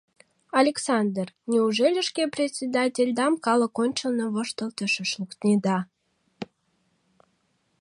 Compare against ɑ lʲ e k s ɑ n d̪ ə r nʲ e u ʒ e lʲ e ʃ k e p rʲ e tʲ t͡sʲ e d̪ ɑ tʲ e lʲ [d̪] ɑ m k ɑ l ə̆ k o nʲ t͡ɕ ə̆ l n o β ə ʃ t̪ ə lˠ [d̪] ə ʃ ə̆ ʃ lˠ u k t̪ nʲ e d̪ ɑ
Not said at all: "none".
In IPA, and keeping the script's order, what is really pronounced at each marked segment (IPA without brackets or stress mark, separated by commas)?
d̪, t̪